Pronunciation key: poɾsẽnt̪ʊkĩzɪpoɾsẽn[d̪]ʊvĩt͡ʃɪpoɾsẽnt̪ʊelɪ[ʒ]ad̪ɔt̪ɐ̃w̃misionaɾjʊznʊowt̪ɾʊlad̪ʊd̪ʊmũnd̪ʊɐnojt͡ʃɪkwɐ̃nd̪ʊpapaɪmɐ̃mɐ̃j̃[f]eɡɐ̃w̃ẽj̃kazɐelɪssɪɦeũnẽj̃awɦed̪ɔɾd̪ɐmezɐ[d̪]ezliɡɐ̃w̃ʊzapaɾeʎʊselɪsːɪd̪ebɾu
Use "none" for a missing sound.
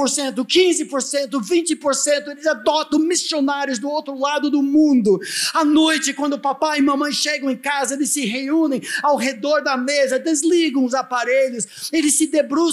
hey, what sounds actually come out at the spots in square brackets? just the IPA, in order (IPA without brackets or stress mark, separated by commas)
t̪, z, ʃ, d̪